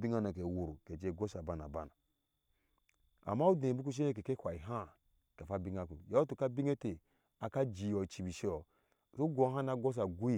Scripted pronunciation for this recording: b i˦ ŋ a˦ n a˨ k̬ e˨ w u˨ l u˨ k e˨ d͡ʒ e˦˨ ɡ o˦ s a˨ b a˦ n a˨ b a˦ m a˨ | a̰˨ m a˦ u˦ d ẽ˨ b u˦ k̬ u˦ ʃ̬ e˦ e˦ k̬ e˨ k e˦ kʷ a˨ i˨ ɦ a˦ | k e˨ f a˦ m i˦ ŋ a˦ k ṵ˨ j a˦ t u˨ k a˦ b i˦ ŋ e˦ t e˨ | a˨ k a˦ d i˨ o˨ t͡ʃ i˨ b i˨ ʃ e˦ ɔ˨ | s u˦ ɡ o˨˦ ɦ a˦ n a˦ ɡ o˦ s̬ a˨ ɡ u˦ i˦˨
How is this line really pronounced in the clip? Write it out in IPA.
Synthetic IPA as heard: b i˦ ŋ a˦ n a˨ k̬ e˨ w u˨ ɾ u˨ k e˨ d͡ʒ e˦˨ ɡ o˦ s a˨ b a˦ n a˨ b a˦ n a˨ | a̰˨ m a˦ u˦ d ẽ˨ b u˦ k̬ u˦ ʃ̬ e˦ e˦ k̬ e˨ k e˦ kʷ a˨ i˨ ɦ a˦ | k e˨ f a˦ b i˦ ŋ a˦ k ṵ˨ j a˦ t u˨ k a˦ b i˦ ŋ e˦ t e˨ | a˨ k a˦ d͡ʒ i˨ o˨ t͡ʃ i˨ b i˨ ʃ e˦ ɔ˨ | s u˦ ɡ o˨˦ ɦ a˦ n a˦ ɡ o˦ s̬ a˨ ɡ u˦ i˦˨